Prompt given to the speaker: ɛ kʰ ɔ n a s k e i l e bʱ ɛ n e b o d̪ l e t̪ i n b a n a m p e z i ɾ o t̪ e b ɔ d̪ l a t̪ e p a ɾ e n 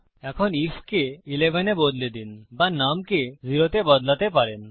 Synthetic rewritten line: ɛ kʰ ɔ n i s k e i l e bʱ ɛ n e b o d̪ l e d̪ i n b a n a m k e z i ɾ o t̪ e b ɔ d̪ l a t̪ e p a ɾ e n